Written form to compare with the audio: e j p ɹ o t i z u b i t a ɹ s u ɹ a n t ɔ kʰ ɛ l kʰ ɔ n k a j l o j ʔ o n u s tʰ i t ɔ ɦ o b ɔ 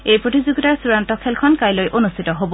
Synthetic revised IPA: e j p ɹ o t i z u ɡ i t a ɹ s u ɹ a n t ɔ kʰ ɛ l kʰ ɔ n k a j l o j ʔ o n u s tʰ i t ɔ ɦ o b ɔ